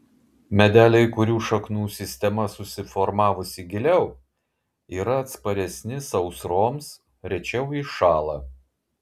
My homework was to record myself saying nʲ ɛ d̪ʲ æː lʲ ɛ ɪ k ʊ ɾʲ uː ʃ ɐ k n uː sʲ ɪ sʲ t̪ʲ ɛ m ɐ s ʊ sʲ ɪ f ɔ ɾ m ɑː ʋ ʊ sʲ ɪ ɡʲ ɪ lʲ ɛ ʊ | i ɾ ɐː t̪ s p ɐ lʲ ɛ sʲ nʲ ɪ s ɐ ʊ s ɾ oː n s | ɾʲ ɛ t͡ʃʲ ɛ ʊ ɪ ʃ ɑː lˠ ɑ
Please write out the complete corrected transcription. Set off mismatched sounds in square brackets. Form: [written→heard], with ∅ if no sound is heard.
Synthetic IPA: [nʲ→mʲ] ɛ d̪ʲ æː lʲ ɛ ɪ k ʊ ɾʲ uː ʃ ɐ k n uː sʲ ɪ sʲ t̪ʲ ɛ m ɐ s ʊ sʲ ɪ f ɔ ɾ m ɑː ʋ ʊ sʲ ɪ ɡʲ ɪ lʲ ɛ ʊ | [i→iː] ɾ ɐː t̪ s p ɐ [lʲ→ɾʲ] ɛ sʲ nʲ ɪ s ɐ ʊ s ɾ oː [n→m] s | ɾʲ ɛ t͡ʃʲ ɛ ʊ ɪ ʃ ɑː lˠ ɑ